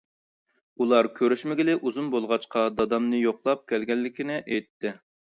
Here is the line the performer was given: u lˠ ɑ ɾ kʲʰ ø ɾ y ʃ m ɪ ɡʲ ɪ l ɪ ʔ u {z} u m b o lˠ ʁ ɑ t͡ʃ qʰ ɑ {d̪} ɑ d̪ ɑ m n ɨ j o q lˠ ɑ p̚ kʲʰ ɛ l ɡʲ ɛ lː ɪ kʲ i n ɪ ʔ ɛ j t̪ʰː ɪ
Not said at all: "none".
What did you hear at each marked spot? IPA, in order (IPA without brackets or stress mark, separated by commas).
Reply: z, d̪